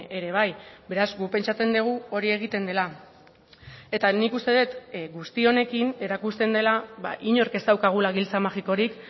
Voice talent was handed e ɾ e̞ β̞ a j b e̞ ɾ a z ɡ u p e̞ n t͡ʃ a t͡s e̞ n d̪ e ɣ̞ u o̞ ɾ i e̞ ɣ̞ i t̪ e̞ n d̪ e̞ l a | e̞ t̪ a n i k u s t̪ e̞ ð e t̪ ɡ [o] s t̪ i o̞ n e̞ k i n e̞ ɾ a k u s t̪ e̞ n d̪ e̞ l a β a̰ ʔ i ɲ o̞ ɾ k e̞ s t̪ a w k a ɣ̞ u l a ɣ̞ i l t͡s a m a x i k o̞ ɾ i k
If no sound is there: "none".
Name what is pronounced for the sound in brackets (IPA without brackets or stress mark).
u